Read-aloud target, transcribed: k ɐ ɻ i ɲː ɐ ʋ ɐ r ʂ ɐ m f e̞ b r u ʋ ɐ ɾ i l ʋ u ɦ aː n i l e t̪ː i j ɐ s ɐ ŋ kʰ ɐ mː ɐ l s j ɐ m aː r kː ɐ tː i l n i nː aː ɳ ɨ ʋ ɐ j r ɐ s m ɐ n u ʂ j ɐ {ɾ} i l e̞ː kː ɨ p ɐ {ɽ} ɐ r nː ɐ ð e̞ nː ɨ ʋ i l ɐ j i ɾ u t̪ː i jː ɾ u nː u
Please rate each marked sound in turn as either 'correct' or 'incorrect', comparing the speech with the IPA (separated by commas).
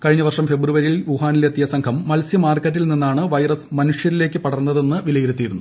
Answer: correct, correct